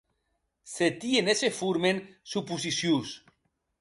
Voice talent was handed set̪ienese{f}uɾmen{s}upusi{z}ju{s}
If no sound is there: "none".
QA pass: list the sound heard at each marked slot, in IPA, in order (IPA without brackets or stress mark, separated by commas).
f, s, s, s